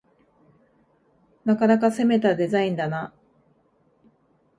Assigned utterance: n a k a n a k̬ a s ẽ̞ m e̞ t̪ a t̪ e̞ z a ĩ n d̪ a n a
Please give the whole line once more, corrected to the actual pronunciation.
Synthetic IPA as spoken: n a k a n a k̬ a s e̞ m e̞ t̪ a d̪ e̞ z a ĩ n d̪ a n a